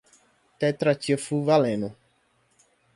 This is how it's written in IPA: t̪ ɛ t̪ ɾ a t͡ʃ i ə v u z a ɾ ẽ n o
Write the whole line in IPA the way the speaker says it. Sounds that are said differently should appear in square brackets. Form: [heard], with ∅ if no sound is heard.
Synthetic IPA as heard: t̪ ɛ t̪ ɾ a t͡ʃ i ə [f] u [v] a [l] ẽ n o